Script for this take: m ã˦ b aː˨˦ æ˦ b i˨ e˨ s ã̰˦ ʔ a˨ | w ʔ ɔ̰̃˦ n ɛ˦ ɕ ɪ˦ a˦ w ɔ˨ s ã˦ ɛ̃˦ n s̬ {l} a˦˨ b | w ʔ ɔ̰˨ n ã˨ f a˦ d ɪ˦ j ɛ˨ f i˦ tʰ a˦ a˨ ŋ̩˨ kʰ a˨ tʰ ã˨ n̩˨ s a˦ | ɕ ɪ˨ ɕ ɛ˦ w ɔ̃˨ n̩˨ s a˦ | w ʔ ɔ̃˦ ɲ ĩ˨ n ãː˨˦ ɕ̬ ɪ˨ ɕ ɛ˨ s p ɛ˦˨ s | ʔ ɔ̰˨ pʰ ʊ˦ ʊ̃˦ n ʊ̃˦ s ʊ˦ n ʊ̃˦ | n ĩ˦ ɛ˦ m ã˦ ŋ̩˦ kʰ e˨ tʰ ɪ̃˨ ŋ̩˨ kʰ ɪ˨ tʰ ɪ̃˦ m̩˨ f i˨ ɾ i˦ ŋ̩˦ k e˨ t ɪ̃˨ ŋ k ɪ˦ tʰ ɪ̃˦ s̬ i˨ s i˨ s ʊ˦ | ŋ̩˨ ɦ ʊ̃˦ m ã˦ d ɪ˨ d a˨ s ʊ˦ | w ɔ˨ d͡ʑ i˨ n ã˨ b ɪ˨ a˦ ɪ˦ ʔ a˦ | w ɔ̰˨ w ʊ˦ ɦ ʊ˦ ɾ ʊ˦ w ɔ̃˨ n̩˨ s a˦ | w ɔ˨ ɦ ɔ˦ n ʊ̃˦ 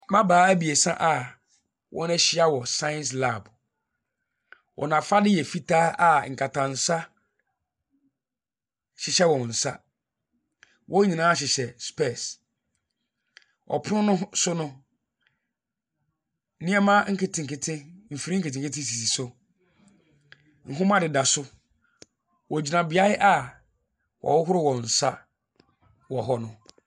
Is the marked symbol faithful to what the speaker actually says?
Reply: yes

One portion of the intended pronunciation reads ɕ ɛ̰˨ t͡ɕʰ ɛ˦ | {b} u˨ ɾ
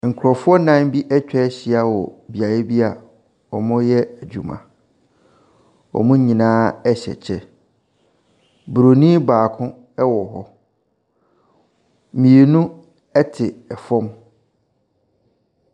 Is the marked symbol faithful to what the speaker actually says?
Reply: yes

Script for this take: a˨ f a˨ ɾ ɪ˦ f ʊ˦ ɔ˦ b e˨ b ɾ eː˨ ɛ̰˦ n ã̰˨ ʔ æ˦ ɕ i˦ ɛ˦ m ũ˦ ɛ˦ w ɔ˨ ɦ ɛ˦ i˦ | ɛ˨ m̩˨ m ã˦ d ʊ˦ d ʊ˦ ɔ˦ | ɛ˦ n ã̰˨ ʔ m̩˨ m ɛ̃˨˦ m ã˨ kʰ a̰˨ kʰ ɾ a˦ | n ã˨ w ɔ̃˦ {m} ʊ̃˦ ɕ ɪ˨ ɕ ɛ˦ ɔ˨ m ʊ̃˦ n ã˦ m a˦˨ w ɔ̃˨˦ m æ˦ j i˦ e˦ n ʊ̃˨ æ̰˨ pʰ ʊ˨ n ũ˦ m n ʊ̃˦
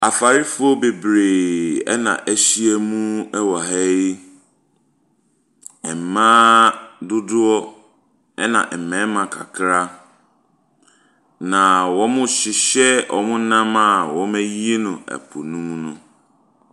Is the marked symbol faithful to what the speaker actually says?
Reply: yes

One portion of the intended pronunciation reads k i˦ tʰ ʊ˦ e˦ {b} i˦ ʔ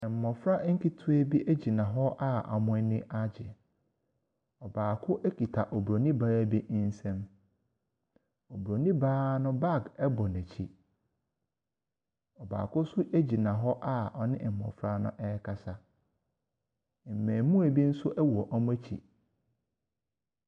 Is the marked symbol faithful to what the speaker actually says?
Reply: yes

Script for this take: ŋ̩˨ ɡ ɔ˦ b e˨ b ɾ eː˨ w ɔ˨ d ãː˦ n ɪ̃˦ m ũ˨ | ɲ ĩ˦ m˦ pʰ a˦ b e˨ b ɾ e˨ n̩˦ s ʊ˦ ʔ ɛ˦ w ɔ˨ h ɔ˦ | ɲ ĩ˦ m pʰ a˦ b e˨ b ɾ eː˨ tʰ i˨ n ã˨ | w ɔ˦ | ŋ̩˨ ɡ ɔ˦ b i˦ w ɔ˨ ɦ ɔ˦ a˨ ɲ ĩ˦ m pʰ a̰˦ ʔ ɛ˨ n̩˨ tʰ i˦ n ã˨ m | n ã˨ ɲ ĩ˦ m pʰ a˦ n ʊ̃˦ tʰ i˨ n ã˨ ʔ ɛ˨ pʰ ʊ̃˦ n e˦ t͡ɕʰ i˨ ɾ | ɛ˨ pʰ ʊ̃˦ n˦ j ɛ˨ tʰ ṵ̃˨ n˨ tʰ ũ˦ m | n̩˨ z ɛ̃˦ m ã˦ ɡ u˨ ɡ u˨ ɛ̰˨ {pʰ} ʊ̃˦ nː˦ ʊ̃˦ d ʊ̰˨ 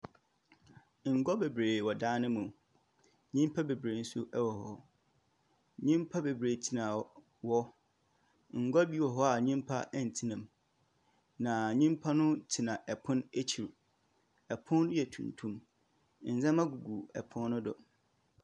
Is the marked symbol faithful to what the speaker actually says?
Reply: yes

